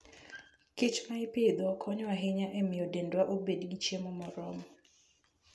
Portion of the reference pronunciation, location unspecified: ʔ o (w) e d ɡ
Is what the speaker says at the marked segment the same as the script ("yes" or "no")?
no